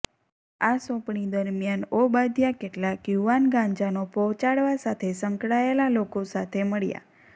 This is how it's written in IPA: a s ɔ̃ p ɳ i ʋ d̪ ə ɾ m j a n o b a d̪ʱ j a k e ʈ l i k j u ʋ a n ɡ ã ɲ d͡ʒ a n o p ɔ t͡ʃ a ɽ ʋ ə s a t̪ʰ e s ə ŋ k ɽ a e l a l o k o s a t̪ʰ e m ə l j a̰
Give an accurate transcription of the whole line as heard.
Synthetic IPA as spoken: a s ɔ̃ p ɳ i d̪ ə ɾ m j a n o b a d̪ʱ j a k e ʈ l a k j u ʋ a n ɡ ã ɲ d͡ʒ a n o p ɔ t͡ʃ a ɽ ʋ a s a t̪ʰ e s ə ŋ k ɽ a e l a l o k o s a t̪ʰ e m ə ɭ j a̰

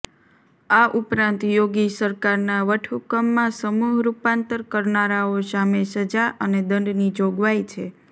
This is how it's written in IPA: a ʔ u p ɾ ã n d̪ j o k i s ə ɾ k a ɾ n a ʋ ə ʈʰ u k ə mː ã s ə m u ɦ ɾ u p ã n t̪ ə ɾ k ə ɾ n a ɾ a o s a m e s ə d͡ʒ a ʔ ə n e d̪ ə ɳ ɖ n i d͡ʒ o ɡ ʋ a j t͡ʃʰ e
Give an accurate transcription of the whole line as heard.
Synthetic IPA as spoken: a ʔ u p ɾ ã n t̪ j o ɡ i s ə ɾ k a ɾ n a ʋ ə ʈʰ u k ə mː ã s ə m u ɦ ɾ u p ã n t̪ ə ɾ k ə ɾ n a ɾ a o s a m e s ə d͡ʒ a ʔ ə n e d̪ ə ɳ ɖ n i d͡ʒ o ɡ ʋ a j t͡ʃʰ e

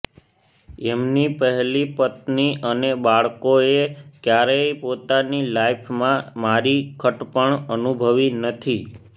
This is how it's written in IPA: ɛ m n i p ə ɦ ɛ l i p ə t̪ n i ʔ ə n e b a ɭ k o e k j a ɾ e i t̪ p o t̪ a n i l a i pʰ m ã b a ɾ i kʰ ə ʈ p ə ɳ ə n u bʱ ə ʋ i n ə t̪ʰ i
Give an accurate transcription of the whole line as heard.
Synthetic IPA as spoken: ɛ m n i p ə ɦ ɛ l i p ə t̪ n i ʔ ə n e b a ɭ k o e k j a ɾ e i p o t̪ a n i l a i pʰ m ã m a ɾ i kʰ ə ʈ p ə ɳ ə n u bʱ ə ʋ i n ə t̪ʰ i

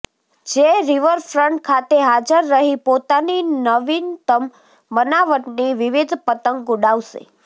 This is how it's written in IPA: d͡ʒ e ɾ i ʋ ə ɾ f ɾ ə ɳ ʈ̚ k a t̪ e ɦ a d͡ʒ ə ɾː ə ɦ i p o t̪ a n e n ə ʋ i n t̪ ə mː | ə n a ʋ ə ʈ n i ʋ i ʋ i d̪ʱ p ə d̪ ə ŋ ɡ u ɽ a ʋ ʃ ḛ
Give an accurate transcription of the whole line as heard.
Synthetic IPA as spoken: d͡ʒ e ɾ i ʋ ə ɾ f ɾ ə ɳ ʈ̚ kʰ a t̪ e ɦ a d͡ʒ ə ɾː ə ɦ i p o t̪ a n i n ə ʋ i n t̪ ə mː | ə n a ʋ ə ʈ n i ʋ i ʋ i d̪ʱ p ə t̪ ə ŋ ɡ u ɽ a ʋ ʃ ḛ

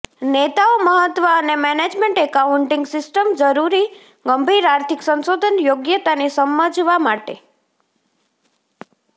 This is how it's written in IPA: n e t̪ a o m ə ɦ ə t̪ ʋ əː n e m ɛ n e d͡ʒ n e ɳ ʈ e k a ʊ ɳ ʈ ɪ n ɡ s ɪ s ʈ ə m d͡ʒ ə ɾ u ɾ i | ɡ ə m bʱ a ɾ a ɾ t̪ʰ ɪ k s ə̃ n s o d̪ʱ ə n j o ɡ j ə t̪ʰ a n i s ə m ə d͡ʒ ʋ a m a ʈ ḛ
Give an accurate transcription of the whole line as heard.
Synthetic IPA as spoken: n e t̪ a o m ə ɦ ə t̪ ʋ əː n e m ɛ n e d͡ʒ m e ɳ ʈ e k a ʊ ɳ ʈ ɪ ŋ ɡ s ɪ s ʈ ə m d͡ʒ ə ɾ u ɾ i | ɡ ə m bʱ i ɾ a ɾ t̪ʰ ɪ k s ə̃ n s o d̪ʱ ə n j o ɡ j ə t̪ a n i s ə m ə d͡ʒ ʋ a m a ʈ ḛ

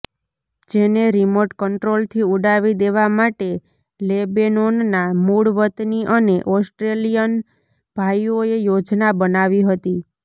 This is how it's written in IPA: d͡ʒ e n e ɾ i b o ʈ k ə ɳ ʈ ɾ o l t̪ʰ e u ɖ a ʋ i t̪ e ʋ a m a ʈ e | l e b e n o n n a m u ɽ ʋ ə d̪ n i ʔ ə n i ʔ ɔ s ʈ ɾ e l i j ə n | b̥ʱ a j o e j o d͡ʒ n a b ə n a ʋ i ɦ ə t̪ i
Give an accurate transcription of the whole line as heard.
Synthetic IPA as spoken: d͡ʒ e n e ɾ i m o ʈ k ə ɳ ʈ ɾ o l t̪ʰ i u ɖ a ʋ i d̪ e ʋ a m a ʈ e | l e b e n o n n a m u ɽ ʋ ə t̪ n i ʔ ə n e ʔ ɔ s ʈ ɾ e l i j ə n | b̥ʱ a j o e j o d͡ʒ n a b ə n a ʋ i ɦ ə t̪ i

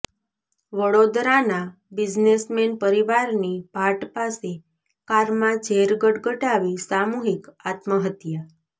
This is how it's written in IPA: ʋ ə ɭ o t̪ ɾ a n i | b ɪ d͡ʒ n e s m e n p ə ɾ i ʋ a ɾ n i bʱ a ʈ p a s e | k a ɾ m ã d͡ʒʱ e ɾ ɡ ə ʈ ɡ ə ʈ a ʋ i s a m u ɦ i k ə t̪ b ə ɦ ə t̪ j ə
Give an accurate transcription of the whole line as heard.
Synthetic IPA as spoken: ʋ ə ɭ o d̪ ɾ a n a | b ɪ d͡ʒ n e s m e n p ə ɾ i ʋ a ɾ n i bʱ a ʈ p a s e | k a ɾ m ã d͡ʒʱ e ɾ ɡ ə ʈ ɡ ə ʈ a ʋ i s a m u ɦ i k a t̪ m ə ɦ ə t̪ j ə

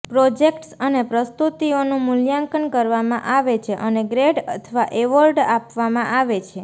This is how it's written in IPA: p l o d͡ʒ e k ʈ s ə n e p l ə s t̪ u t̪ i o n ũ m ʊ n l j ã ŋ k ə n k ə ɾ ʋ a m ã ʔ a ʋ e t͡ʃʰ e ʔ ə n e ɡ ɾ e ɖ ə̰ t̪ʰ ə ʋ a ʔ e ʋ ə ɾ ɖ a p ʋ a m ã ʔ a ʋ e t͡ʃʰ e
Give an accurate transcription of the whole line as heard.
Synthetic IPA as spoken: p ɾ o d͡ʒ e k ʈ s ə n e p ɾ ə s t̪ u t̪ i o n ũ m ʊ l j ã ŋ k ə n k ə ɾ ʋ a m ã ʔ a ʋ e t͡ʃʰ e ʔ ə n e ɡ ɾ e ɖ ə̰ t̪ʰ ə ʋ a ʔ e ʋ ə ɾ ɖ a p ʋ a m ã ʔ a ʋ e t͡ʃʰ e

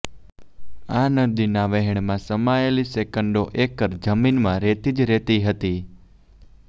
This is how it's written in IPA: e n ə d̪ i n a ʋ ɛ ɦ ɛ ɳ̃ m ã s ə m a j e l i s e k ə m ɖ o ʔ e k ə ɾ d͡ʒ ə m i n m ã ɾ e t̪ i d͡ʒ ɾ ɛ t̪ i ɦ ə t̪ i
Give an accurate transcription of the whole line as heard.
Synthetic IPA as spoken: a n ə d̪ i n a ʋ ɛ ɦ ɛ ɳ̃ m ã s ə m a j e l i s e k ə ɳ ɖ o ʔ e k ə ɾ d͡ʒ ə m i n m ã ɾ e t̪ i d͡ʒ ɾ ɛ t̪ i ɦ ə t̪ i

